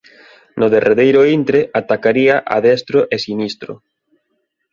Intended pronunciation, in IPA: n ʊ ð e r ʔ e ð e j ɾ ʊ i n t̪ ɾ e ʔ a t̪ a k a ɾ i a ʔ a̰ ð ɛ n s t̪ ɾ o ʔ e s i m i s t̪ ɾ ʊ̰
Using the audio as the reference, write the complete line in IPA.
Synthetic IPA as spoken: n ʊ ð e r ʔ e ð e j ɾ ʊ i n t̪ ɾ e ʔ a t̪ a k a ɾ i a ʔ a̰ ð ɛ s t̪ ɾ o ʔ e s i n i s t̪ ɾ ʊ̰